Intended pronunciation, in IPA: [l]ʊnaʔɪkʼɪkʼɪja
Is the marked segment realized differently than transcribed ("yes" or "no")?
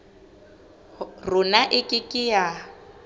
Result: yes